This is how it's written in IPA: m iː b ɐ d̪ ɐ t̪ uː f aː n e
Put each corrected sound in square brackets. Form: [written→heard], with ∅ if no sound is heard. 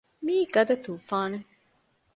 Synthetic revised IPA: m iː [b→ɡ] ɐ d̪ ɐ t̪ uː f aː n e